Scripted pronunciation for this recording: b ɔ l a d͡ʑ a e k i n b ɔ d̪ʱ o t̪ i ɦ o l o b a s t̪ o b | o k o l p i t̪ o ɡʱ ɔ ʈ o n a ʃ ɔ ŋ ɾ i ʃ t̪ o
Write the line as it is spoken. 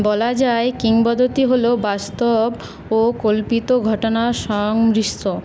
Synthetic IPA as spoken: b ɔ l a d͡ʑ a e k i ŋ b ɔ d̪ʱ o t̪ i ɦ o l o b a s t̪ o b | o k o l p i t̪ o ɡʱ ɔ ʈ o n a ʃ ɔ ŋ ɾ i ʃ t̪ o